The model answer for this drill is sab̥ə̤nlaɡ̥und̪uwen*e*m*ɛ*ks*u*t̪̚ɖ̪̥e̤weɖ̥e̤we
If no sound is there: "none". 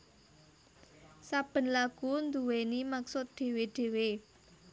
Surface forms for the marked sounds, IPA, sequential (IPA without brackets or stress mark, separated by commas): i, a, ʊ